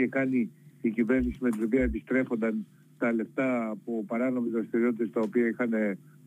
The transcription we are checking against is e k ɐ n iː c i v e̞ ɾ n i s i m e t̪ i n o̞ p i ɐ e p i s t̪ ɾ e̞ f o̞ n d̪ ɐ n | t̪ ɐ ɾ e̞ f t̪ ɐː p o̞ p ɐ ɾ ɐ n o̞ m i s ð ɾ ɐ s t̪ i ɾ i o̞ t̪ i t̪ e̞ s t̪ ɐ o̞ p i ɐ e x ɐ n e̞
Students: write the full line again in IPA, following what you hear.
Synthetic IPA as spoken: e k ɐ n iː c i v e̞ ɾ n i s i m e t̪ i n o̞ p i ɐ e p i s t̪ ɾ e̞ f o̞ n d̪ ɐ n | t̪ ɐ l e̞ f t̪ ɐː p o̞ p ɐ ɾ ɐ n o̞ m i z ð ɾ ɐ s t̪ i ɾ i o̞ t̪ i t̪ e̞ s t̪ ɐ o̞ p i ɐ i x ɐ n e̞